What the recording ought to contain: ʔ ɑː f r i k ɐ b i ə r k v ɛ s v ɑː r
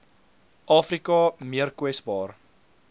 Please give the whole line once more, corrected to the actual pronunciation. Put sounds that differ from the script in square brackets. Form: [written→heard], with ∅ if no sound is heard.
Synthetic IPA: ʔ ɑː f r i k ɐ [b→m] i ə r k [v→w] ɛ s [v→b] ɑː r

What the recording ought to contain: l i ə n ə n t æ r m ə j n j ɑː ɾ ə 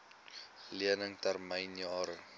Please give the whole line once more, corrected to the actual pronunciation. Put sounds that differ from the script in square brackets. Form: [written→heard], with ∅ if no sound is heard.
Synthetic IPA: l i ə n ə [n→ŋ] t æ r m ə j n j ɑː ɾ ə

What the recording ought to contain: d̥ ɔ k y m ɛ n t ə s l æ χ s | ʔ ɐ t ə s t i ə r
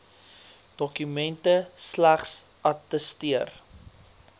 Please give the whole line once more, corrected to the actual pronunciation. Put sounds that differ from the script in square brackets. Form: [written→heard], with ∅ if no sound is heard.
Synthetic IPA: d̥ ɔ k y m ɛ n t ə s l æ χ s | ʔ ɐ t ə s t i ə r

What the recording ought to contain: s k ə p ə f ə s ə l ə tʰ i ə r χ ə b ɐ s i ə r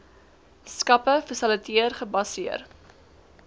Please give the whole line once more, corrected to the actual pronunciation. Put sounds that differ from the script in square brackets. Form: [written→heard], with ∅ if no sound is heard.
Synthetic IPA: s k [ə→ɐ] p ə f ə s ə l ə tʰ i ə r χ ə b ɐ s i ə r

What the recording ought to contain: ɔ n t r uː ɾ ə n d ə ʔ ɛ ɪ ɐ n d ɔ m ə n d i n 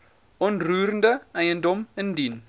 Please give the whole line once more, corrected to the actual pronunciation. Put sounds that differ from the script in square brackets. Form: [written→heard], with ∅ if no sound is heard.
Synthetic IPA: ɔ n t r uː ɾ ə n d ə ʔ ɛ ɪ [ɐ→ə] n d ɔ m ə n d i n

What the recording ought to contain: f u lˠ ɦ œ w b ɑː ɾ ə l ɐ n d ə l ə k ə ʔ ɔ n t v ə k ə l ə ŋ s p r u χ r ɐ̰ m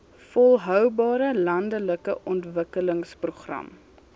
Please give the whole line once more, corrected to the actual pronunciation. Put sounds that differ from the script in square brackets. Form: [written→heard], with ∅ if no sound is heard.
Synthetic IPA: f [u→ɔ] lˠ ɦ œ w b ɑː ɾ ə l ɐ n d ə l ə k ə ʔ ɔ n t v ə k ə l ə ŋ s p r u χ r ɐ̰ m

